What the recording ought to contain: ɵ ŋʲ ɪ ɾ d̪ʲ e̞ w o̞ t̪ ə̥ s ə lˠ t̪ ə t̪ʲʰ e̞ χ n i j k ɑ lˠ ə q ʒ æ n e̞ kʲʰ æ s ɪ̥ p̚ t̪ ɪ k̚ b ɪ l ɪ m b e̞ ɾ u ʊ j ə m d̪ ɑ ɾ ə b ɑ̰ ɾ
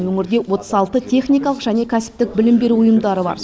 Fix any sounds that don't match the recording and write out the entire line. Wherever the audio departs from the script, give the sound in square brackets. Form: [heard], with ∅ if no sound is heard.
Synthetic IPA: ɵ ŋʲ ɪ ɾ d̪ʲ e̞ w o̞ t̪ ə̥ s [ɑ] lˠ t̪ ə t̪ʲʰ e̞ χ n i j k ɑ lˠ ə q ʒ æ n e̞ kʲʰ æ s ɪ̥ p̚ t̪ ɪ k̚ b ɪ l ɪ m b e̞ ɾ u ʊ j ə m d̪ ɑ ɾ ə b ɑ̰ ɾ